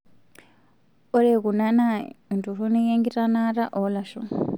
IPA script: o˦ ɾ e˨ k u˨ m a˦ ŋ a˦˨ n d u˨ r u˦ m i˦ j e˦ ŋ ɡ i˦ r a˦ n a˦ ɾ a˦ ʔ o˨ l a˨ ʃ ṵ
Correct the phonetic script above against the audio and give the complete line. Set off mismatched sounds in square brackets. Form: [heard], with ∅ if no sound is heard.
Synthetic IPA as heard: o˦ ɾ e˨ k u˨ [n] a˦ [n] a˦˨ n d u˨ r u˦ [n] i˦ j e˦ ŋ ɡ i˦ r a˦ n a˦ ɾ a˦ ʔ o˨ l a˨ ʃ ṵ